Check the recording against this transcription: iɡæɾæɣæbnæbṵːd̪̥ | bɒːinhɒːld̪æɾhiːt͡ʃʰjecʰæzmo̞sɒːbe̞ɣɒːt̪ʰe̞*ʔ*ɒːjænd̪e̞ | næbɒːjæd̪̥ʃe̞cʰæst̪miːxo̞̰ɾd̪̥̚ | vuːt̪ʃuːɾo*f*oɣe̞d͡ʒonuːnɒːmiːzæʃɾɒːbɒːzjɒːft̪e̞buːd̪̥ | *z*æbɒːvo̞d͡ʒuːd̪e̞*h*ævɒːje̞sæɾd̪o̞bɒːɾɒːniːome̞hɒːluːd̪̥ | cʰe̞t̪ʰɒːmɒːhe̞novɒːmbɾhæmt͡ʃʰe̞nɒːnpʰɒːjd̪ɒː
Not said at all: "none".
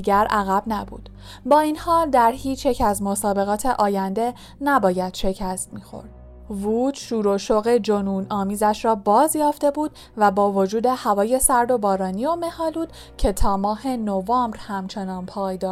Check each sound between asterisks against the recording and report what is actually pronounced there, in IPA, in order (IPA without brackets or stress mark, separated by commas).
ʔ, ʃ, v, h